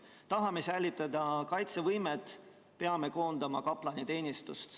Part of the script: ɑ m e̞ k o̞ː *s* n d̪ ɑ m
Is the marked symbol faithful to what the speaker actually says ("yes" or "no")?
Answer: no